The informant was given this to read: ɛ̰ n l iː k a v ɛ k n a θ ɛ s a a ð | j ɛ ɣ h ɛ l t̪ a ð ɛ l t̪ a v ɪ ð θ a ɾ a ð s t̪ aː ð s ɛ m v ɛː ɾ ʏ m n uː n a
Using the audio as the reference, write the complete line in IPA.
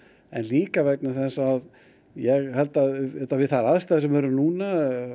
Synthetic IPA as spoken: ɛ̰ n l iː k a v ɛ k n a θ ɛ s a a ð | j ɛ ɣ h ɛ l t̪ a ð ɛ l t̪ a v ɪ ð θ a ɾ a ð s t̪ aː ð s ɛ m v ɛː ɾ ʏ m n uː n a

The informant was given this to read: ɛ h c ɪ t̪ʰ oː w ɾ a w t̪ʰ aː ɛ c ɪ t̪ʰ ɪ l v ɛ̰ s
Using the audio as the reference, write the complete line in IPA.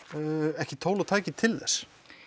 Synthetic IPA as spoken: ɛ h c ɪ t̪ʰ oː w l a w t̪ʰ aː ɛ c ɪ t̪ʰ ɪ l ð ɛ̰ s

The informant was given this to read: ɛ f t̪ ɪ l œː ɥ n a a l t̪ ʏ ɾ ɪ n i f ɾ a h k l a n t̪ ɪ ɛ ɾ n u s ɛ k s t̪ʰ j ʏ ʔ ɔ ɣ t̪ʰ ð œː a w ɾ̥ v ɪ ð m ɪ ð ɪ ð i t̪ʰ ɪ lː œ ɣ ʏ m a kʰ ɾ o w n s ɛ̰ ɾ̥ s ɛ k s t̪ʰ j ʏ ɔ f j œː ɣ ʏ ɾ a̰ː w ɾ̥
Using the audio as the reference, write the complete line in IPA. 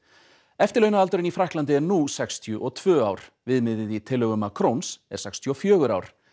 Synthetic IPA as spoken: ɛ f t̪ ɪ l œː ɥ n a a l t̪ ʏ ɾ ɪ n i f ɾ a h k l a n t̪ ɪ ɛ ɾ n u s ɛ k s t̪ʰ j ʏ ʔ ɔ ɣ t̪ʰ v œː a w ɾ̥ v ɪ ð m ɪ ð ɪ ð i t̪ʰ ɪ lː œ ɣ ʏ m a kʰ ɾ o w n s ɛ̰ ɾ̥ s ɛ k s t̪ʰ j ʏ ɔ f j œː ɣ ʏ ɾ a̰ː w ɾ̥

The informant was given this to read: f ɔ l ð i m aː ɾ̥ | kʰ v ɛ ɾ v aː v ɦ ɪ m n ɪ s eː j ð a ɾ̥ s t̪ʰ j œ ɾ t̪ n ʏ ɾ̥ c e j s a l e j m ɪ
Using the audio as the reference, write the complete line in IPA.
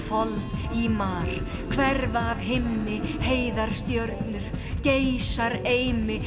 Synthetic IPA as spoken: f ɔ l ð i m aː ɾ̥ | kʰ v ɛ ɾ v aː v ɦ ɪ m n ɪ h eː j ð a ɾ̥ s t̪ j œ ɾ t̪ n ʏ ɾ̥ c e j s a ɾ e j m ɪ

